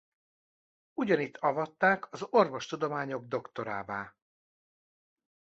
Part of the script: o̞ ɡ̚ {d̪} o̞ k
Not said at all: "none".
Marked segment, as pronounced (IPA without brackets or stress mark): d̪